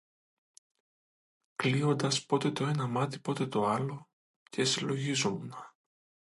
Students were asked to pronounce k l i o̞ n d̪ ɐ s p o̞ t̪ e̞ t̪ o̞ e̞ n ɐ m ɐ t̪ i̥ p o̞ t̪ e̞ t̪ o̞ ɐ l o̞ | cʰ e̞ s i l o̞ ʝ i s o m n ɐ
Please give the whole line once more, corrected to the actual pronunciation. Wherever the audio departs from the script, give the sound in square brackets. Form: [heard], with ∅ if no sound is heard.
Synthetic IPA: k l i o̞ n d̪ ɐ s p o̞ t̪ e̞ t̪ o̞ e̞ n ɐ m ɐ t̪ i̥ p o̞ t̪ e̞ t̪ o̞ ɐ l o̞ | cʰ e̞ s i l o̞ ʝ i [z] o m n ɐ